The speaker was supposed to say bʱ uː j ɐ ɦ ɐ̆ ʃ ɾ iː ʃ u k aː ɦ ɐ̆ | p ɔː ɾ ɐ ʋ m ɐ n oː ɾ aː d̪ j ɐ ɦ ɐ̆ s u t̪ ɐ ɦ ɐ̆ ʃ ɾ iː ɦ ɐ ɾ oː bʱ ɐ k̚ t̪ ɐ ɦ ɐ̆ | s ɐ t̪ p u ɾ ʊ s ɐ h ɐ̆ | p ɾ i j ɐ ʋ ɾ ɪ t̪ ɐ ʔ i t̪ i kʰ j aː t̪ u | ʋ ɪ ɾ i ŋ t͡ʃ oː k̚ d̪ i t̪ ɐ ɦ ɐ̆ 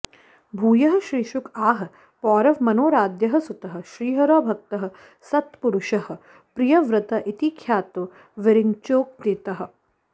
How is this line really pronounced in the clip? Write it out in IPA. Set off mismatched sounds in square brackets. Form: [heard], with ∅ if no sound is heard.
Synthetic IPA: bʱ uː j ɐ ɦ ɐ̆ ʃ ɾ iː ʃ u k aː ɦ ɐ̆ | p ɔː ɾ ɐ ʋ m ɐ n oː ɾ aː d̪ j ɐ ɦ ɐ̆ s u t̪ ɐ ɦ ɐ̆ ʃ ɾ iː ɦ ɐ ɾ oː bʱ ɐ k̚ t̪ ɐ ɦ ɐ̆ | s ɐ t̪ p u ɾ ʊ [ʃ] ɐ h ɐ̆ | p ɾ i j ɐ ʋ ɾ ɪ t̪ ɐ ʔ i t̪ i kʰ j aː t̪ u | ʋ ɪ ɾ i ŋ t͡ʃ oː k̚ d̪ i t̪ ɐ ɦ ɐ̆